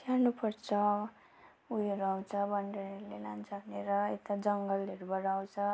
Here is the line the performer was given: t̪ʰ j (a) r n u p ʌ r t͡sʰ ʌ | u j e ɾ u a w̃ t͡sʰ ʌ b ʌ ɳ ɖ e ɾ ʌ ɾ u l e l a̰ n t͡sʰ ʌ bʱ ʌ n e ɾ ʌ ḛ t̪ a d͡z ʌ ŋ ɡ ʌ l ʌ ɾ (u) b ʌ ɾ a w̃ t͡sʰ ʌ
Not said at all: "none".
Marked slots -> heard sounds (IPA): a, u

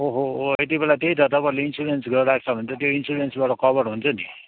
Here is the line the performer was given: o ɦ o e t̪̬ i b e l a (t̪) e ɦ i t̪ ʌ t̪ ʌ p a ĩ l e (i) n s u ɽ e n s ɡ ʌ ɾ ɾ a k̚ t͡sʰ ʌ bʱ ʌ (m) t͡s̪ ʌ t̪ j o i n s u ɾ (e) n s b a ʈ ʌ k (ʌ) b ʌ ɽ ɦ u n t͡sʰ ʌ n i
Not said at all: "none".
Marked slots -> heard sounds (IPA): t̪, i, n, e, ʌ

